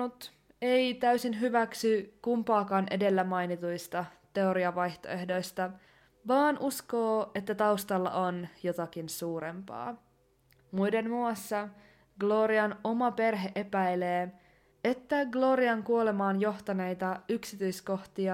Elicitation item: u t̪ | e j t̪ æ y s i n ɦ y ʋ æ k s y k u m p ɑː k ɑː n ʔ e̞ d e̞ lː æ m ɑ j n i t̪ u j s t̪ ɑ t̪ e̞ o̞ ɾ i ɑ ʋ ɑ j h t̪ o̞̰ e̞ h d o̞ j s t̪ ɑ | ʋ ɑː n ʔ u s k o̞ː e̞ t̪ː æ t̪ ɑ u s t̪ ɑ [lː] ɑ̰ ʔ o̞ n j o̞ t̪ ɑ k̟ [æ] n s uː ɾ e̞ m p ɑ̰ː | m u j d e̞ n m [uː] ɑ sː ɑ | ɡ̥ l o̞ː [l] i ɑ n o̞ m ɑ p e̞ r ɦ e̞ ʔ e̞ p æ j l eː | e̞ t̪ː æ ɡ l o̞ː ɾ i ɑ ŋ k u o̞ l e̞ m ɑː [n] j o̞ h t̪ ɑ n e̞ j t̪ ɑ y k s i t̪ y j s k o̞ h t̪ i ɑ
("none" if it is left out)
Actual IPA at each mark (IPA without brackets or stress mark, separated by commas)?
lː, i, u, ɾ, n